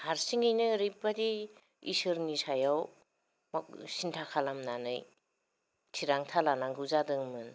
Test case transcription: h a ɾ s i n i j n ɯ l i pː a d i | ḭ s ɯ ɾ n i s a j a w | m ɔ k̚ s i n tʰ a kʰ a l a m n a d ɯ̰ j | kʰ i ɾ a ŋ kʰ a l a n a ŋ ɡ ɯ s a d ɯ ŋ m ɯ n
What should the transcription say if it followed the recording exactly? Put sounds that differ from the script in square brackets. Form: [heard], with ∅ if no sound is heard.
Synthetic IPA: h a ɾ s i [ŋ] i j n ɯ [ɾ] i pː a d i | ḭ s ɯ ɾ n i s a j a w | m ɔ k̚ s i n tʰ a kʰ a l a m n a [n] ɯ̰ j | [tʰ] i ɾ a ŋ [tʰ] a l a n a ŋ ɡ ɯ [z] a d ɯ ŋ m ɯ n